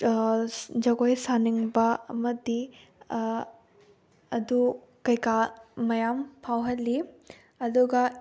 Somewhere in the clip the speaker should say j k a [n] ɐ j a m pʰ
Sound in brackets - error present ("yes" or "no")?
yes